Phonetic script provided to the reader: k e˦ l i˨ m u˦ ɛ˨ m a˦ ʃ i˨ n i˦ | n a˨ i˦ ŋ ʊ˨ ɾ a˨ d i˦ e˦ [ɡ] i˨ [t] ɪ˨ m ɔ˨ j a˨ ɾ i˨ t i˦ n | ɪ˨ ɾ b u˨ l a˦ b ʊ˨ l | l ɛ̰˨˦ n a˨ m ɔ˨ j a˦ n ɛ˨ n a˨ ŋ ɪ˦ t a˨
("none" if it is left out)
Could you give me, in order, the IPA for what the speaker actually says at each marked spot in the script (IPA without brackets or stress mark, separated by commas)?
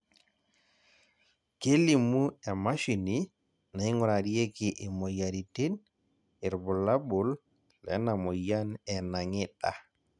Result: k, ʔ